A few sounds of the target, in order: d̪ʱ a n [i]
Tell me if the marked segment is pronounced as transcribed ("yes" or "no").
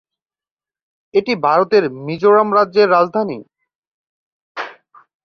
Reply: yes